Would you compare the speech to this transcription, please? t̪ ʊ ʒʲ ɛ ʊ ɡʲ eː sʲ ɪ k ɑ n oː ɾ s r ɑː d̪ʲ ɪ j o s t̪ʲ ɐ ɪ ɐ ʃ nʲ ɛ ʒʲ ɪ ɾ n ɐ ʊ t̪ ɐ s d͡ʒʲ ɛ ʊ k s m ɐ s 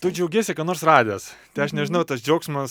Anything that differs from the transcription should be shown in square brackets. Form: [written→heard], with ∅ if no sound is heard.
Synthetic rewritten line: t̪ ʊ [ʒʲ→d͡ʒʲ] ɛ ʊ ɡʲ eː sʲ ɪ k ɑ n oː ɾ s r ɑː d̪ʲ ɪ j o s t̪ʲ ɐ ɪ ɐ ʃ nʲ ɛ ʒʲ ɪ [ɾ→∅] n ɐ ʊ t̪ ɐ s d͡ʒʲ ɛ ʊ k s m ɐ s